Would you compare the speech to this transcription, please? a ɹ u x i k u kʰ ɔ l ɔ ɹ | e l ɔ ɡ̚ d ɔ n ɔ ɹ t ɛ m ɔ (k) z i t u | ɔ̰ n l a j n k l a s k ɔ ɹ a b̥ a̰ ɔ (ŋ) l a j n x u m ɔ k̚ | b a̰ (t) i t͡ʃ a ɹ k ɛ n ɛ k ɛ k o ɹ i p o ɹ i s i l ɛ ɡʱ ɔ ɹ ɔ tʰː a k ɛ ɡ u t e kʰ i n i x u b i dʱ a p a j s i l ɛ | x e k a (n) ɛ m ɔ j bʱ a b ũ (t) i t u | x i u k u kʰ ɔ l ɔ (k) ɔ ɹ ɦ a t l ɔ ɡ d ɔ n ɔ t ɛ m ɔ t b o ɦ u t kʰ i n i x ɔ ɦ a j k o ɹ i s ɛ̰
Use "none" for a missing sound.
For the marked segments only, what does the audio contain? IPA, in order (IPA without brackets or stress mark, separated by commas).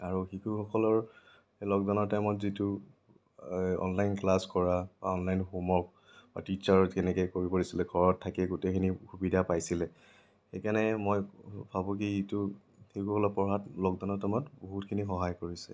t, n, t, n, k, p